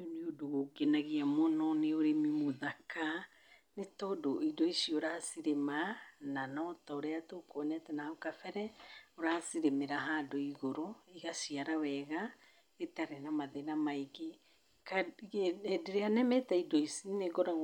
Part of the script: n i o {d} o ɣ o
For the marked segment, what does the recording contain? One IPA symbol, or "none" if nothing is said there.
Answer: d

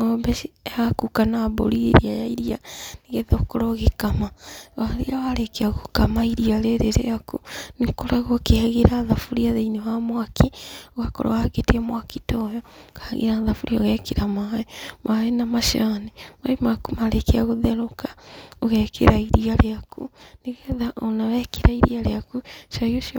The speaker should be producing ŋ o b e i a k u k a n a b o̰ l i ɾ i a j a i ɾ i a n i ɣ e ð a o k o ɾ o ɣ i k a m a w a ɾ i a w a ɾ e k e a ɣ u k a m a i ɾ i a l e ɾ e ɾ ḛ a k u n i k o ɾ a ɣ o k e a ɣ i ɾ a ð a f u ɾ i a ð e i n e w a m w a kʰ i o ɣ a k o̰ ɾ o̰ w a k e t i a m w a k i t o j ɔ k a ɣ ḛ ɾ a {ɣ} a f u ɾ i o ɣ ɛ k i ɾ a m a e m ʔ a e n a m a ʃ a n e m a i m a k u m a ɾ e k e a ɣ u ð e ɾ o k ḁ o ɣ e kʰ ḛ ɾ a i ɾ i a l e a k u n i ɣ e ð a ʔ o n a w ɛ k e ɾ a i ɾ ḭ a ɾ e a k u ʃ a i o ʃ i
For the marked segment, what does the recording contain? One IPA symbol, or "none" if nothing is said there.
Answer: ð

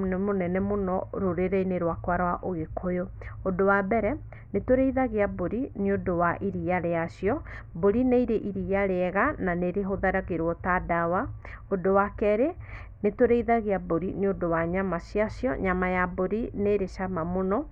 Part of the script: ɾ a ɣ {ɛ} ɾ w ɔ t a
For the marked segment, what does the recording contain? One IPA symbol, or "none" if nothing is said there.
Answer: e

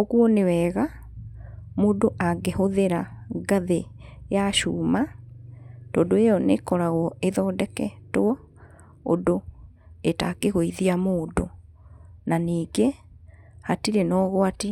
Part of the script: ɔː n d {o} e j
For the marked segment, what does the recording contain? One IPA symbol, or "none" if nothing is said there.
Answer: o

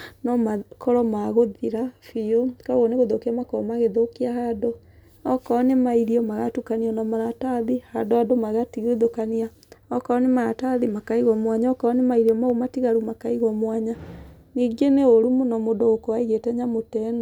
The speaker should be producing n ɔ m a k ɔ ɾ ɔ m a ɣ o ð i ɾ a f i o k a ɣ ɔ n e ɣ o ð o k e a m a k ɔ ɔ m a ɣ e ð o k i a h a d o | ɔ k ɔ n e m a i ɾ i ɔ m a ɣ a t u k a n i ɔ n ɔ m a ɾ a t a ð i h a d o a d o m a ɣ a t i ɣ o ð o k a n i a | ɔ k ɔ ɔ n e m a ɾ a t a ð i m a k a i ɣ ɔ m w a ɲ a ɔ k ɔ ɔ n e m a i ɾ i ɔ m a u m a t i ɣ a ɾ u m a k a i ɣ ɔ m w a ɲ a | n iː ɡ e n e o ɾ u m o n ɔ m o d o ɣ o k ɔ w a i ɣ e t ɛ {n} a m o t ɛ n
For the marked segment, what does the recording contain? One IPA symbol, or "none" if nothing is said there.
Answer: ɲ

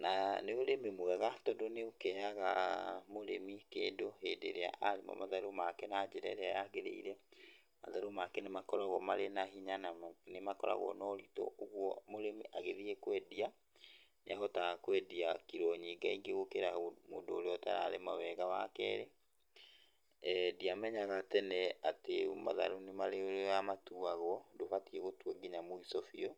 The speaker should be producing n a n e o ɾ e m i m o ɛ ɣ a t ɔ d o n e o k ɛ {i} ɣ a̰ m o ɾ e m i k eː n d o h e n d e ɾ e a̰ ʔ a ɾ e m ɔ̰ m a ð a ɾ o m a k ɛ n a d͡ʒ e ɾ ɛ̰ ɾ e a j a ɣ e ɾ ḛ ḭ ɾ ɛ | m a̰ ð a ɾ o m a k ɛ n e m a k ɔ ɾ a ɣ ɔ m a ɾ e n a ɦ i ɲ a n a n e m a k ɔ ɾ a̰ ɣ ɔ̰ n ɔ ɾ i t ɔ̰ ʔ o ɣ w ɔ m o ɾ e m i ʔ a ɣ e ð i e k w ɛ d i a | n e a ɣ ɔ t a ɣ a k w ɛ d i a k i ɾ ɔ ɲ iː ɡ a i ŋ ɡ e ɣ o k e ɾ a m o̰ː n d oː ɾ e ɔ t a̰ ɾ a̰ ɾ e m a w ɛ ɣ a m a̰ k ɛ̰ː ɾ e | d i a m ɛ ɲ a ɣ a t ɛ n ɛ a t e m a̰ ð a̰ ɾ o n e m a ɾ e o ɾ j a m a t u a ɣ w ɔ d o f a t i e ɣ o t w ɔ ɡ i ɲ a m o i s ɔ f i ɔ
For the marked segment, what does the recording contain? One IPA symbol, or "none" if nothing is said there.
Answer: a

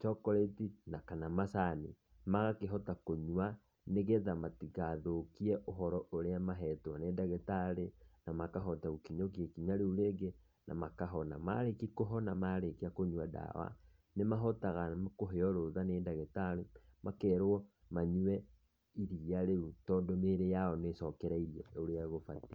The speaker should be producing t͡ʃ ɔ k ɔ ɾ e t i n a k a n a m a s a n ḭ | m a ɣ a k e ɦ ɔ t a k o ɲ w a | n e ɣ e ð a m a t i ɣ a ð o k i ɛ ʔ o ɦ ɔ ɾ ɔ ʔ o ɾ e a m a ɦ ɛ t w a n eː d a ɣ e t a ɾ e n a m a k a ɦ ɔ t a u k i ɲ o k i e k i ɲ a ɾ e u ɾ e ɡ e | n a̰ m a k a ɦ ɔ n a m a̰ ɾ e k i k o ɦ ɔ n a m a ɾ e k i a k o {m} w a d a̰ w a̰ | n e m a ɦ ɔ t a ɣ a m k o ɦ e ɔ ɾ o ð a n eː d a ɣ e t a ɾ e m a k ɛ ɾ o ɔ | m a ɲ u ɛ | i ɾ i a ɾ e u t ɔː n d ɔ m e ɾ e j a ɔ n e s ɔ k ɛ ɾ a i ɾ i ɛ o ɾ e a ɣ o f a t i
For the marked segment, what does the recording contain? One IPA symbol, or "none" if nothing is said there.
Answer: ɲ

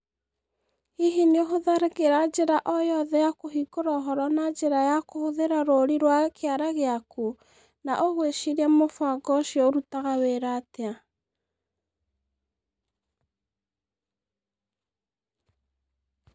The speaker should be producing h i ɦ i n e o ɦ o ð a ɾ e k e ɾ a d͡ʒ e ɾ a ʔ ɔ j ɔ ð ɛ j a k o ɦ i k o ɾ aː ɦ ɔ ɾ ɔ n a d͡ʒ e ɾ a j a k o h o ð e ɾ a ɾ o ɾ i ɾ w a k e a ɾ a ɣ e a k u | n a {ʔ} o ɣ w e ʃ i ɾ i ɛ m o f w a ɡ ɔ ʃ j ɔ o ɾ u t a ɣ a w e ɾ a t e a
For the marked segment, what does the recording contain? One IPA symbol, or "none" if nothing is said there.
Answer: ʔ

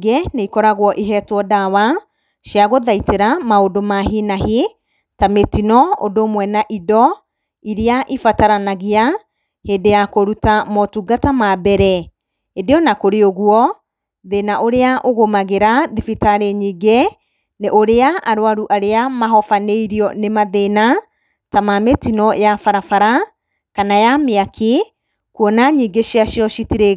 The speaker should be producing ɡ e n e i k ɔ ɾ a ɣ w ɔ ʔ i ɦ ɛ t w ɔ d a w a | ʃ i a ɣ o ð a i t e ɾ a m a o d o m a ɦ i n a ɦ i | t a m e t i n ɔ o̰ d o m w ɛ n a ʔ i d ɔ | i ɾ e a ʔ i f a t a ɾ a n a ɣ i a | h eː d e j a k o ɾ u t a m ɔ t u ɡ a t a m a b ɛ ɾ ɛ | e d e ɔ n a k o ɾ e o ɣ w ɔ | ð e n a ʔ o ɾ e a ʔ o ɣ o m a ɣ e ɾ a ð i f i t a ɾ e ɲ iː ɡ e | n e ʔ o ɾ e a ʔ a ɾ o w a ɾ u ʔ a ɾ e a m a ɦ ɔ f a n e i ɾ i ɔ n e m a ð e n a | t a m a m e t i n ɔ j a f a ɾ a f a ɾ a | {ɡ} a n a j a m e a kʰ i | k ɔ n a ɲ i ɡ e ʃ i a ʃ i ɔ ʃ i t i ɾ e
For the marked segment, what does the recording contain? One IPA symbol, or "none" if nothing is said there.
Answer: k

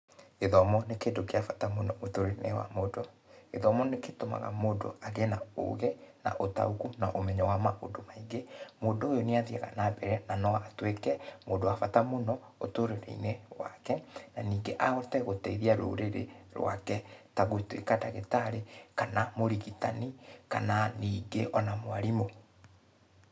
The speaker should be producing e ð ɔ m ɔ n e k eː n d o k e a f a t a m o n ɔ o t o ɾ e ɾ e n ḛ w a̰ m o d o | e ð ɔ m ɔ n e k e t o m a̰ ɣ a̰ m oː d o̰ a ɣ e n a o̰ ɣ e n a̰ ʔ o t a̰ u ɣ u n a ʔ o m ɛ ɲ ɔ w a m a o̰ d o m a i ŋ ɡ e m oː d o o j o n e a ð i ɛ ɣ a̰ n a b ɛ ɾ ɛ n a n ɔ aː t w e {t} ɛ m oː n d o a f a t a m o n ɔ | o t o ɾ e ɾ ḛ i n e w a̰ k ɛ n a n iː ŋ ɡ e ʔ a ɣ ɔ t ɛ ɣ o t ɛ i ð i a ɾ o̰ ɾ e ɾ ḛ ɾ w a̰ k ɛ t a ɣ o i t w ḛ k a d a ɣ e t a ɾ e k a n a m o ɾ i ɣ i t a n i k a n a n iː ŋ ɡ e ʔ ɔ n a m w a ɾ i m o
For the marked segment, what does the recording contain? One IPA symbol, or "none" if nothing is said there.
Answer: k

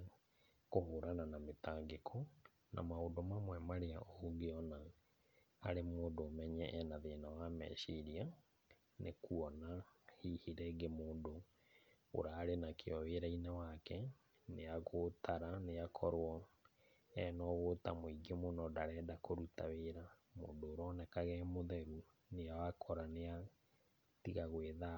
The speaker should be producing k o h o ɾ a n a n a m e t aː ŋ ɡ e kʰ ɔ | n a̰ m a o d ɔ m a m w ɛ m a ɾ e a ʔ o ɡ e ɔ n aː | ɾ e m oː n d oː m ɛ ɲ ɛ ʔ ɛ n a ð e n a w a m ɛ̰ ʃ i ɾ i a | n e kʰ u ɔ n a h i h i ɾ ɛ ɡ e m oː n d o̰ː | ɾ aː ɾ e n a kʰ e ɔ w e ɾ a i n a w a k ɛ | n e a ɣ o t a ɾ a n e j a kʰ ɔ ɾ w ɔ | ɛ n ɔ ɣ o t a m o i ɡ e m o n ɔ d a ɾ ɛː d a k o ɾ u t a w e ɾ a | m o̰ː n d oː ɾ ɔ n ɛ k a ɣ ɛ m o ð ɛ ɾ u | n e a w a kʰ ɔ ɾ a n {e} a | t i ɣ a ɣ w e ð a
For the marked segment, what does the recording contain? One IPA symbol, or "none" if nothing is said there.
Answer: e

